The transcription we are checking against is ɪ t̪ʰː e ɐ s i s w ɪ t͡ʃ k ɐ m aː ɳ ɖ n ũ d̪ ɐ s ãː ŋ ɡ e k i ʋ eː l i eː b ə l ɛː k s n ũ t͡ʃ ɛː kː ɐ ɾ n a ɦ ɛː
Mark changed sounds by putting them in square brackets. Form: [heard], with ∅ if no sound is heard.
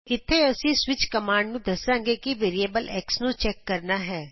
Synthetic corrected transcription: ɪ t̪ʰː e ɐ s i s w ɪ t͡ʃ k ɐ m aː ɳ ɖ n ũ d̪ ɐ s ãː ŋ ɡ e k i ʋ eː [ɾ] i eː b ə l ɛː k s n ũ t͡ʃ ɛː kː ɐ ɾ n a ɦ ɛː